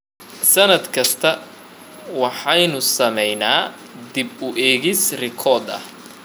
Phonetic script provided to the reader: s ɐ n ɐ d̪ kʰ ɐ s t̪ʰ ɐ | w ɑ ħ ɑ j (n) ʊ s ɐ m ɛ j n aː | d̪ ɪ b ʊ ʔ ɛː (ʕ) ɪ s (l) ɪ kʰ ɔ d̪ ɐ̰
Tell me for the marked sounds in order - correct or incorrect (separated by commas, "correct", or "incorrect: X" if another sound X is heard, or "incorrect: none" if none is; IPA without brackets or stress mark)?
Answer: correct, incorrect: ɣ, incorrect: r